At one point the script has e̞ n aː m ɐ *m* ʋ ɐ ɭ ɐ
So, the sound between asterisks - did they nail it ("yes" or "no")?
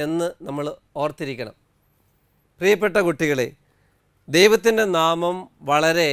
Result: yes